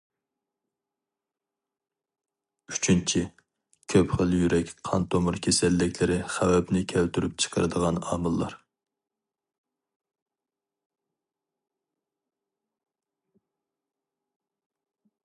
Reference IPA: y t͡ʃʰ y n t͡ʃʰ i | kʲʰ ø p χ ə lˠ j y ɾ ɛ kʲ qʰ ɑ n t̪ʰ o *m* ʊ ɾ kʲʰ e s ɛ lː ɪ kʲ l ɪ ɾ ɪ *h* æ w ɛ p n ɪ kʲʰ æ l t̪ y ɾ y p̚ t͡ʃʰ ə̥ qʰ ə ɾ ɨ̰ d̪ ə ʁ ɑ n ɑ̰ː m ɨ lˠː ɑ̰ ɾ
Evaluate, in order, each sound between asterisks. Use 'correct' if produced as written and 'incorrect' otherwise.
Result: correct, incorrect

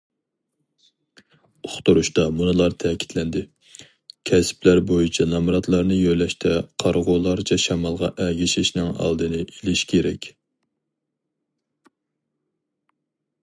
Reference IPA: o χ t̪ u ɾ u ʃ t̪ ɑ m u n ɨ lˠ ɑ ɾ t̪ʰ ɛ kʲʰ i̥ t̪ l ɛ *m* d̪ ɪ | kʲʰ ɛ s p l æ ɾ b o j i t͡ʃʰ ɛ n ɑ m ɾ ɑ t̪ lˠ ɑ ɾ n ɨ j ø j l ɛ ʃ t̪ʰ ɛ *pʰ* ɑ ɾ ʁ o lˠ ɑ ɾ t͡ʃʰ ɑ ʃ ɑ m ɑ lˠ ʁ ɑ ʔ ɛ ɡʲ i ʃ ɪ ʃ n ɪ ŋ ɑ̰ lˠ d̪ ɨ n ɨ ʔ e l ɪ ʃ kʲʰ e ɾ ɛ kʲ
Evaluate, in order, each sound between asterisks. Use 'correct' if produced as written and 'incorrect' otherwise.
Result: incorrect, incorrect

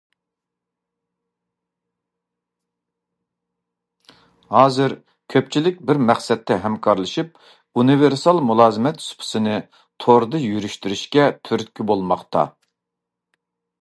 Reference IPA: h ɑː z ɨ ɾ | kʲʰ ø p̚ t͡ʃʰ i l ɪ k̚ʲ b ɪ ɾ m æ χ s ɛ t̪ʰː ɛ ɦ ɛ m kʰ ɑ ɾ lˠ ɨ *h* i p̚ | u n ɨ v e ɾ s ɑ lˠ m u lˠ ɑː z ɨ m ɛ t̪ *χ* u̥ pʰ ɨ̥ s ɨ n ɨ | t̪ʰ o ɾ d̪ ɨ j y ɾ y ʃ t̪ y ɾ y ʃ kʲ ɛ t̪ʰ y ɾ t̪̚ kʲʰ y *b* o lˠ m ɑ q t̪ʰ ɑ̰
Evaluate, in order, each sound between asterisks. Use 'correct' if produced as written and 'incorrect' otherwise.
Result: incorrect, incorrect, correct

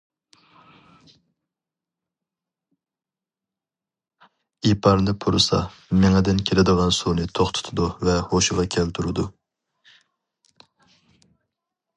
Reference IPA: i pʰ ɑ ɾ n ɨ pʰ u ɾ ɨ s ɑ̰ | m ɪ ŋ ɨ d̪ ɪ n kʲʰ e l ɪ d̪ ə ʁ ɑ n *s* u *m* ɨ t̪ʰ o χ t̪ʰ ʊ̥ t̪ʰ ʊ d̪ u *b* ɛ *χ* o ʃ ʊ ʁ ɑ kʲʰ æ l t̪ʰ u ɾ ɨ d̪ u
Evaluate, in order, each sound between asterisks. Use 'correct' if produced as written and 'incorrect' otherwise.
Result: correct, incorrect, incorrect, incorrect

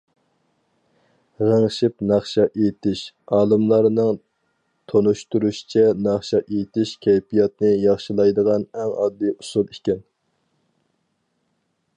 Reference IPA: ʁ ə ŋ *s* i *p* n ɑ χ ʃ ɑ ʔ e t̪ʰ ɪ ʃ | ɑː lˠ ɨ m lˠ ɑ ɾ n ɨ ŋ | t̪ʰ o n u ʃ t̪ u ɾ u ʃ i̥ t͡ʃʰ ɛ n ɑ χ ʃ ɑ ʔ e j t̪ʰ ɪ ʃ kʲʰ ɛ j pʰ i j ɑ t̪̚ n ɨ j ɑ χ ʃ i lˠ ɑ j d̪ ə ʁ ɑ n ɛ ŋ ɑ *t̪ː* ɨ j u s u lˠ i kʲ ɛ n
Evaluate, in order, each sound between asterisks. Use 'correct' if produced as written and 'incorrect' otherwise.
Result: incorrect, correct, incorrect

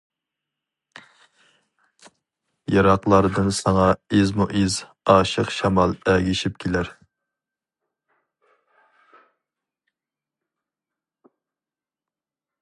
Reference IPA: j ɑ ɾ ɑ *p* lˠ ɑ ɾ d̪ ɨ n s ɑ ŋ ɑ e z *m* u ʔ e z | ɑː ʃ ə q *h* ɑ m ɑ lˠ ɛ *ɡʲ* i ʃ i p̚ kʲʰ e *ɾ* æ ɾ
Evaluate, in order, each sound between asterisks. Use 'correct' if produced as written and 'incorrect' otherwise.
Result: incorrect, correct, incorrect, correct, incorrect

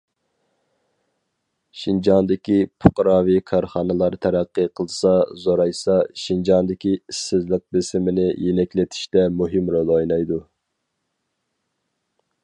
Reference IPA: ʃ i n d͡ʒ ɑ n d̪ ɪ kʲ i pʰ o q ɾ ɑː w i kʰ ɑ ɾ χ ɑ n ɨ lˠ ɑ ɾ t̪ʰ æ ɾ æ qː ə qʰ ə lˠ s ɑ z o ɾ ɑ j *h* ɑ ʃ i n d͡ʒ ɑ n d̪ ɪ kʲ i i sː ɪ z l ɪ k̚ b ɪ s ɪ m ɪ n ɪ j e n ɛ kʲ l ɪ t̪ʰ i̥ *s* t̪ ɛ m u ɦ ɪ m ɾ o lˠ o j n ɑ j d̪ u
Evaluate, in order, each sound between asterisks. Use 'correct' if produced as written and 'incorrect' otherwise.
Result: incorrect, incorrect

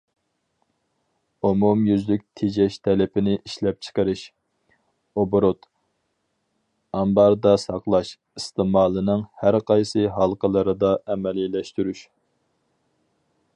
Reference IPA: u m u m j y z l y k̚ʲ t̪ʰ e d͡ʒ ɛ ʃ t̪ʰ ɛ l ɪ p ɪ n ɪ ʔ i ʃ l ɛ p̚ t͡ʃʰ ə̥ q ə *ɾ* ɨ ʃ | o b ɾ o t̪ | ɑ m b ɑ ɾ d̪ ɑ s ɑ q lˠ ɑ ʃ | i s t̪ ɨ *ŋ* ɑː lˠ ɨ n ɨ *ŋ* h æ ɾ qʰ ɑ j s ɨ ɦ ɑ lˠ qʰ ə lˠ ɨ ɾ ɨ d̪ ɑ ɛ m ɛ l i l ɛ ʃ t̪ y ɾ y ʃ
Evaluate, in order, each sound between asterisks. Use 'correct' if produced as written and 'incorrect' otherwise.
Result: correct, incorrect, correct

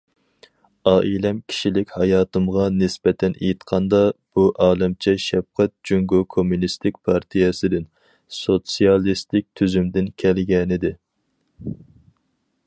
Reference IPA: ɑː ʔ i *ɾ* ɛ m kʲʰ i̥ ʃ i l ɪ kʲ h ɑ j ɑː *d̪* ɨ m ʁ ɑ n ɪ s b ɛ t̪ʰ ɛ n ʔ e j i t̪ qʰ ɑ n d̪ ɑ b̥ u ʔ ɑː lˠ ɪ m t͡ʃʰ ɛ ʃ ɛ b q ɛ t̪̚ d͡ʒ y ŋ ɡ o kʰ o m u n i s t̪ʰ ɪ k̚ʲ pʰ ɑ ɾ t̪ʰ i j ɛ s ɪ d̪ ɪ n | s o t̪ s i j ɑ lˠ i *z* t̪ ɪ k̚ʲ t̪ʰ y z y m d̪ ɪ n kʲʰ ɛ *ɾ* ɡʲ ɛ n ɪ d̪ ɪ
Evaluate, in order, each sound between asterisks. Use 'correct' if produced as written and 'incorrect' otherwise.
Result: incorrect, incorrect, incorrect, incorrect

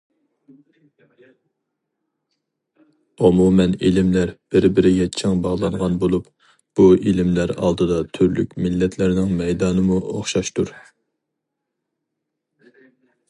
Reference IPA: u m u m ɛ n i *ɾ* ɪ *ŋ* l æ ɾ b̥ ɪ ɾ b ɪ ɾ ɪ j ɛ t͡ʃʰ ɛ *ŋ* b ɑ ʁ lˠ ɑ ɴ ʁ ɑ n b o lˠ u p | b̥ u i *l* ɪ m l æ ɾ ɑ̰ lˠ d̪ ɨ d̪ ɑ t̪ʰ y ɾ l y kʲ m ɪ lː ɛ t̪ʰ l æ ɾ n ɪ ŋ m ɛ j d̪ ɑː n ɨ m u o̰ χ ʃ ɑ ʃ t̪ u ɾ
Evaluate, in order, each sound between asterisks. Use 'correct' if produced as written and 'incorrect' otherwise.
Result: incorrect, incorrect, correct, correct

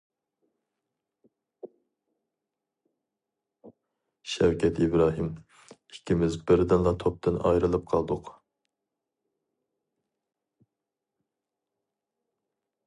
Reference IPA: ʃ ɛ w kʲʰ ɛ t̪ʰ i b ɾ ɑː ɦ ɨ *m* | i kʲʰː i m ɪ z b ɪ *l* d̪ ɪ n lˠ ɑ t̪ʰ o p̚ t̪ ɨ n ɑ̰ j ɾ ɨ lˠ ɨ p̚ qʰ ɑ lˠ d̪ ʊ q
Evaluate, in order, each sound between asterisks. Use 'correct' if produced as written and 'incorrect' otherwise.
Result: correct, incorrect

